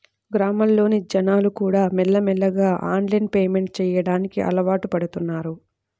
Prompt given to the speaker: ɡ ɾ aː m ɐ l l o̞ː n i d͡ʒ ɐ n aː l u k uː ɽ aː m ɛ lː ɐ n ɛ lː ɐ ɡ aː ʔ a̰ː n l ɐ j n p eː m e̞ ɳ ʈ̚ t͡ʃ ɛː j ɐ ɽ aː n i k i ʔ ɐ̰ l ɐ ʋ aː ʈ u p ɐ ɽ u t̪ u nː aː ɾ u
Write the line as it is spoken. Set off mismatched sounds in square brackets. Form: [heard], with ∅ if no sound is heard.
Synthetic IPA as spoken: ɡ ɾ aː m ɐ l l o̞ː n i d͡ʒ ɐ n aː l u k uː ɽ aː m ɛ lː ɐ [m] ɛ lː ɐ ɡ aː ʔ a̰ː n l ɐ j n p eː m e̞ ɳ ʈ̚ t͡ʃ ɛː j ɐ ɽ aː n i k i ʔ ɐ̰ l ɐ ʋ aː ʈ u p ɐ ɽ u t̪ u nː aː ɾ u